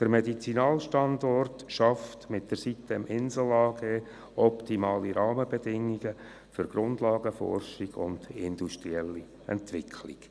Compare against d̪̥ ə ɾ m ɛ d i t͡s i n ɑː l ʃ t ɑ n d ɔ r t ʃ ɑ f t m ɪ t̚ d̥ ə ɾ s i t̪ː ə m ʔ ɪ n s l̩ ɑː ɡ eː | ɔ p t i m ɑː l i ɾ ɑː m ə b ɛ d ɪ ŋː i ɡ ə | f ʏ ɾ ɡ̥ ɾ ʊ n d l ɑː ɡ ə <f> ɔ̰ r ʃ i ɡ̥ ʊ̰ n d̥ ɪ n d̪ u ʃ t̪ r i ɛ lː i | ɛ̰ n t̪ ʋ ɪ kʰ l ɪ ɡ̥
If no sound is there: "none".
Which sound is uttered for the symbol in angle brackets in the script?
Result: f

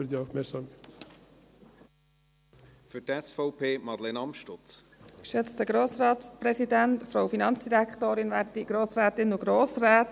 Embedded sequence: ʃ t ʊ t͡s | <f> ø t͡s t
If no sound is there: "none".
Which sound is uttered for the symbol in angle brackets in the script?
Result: ʃ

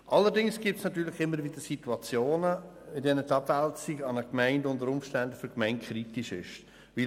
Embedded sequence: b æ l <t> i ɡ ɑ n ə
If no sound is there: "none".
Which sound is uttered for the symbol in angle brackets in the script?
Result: t͡s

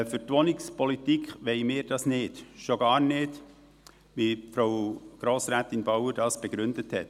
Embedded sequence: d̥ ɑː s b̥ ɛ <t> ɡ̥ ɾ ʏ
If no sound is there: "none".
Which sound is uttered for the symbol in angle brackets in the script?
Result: none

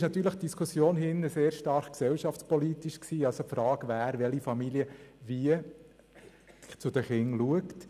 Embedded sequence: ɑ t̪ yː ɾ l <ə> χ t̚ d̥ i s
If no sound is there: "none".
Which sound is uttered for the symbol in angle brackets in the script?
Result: ə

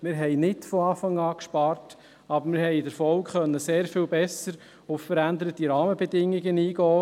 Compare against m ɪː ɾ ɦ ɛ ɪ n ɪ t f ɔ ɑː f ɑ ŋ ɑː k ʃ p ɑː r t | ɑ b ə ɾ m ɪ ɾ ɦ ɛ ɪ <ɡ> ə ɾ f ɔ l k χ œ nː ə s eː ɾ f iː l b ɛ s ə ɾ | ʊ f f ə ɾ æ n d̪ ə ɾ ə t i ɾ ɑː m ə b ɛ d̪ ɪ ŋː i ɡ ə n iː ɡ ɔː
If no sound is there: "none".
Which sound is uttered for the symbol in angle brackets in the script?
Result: d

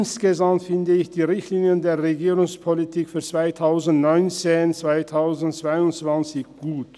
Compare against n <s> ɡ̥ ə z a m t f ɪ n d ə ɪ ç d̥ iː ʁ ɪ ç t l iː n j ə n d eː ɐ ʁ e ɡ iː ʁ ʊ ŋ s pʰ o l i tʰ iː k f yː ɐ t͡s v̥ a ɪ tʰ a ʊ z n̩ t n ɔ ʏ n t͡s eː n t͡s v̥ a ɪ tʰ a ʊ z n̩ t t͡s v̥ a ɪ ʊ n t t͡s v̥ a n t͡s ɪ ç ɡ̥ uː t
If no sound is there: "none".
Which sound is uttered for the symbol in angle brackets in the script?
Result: s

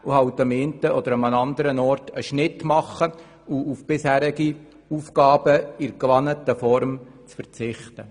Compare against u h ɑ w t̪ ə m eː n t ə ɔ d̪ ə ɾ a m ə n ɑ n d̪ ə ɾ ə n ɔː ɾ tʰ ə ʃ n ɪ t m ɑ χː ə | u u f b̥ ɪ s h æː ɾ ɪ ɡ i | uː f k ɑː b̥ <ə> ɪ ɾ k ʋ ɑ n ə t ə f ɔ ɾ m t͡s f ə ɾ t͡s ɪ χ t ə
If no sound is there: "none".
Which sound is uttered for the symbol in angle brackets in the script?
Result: ə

